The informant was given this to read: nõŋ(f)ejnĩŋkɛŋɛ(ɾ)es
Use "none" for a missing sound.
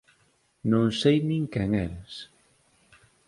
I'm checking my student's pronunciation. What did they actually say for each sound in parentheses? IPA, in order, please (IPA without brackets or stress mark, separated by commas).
s, ɾ